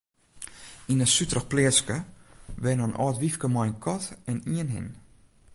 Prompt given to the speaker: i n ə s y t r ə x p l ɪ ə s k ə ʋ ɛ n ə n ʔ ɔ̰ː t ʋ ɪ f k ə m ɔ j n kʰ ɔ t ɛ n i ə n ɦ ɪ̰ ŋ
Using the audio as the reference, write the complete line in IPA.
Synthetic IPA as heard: i n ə s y t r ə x p l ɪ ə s k ə ʋ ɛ n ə n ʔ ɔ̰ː t ʋ i f k ə m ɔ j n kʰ ɔ t ɛ n i ə n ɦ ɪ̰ n